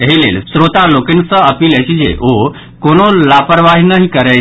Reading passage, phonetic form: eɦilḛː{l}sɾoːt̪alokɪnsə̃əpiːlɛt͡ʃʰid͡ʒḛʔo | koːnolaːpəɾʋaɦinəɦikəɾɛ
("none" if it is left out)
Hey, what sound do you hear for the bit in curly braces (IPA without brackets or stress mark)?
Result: l